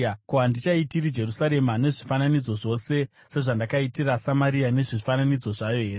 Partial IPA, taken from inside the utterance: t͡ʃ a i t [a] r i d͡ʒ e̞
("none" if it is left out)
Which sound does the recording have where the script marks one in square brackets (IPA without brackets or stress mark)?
i